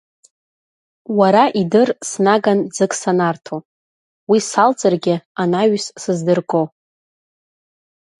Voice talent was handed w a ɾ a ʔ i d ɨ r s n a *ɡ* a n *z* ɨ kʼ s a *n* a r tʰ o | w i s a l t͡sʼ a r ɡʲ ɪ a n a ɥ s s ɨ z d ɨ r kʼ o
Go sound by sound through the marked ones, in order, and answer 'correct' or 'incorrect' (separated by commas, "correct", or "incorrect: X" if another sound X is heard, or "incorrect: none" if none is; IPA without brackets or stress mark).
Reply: correct, incorrect: d͡z, correct